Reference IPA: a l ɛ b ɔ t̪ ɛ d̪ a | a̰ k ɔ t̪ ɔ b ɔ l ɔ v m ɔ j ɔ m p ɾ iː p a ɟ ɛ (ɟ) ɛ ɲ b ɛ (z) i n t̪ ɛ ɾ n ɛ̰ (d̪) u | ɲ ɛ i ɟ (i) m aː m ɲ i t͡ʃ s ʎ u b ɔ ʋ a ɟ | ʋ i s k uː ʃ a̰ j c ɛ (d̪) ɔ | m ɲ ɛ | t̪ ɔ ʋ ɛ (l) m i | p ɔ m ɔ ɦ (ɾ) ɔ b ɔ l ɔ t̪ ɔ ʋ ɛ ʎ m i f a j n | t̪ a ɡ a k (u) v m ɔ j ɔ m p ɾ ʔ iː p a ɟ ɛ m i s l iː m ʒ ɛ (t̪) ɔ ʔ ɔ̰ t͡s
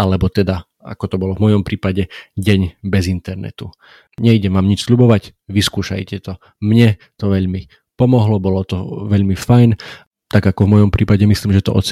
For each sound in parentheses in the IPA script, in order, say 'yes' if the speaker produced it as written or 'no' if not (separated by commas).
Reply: yes, yes, no, no, no, no, no, no, yes